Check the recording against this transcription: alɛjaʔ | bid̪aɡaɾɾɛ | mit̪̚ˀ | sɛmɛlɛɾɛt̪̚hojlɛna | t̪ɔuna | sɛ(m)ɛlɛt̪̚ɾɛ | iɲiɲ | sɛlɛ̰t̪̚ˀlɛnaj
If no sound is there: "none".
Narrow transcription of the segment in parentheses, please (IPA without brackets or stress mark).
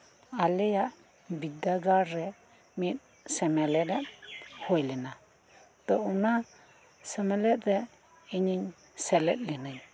m